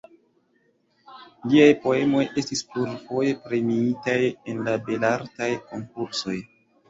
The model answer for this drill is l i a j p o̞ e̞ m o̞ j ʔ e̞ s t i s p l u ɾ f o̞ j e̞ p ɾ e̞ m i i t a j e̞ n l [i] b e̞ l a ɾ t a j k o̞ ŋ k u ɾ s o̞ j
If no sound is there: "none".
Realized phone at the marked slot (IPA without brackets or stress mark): a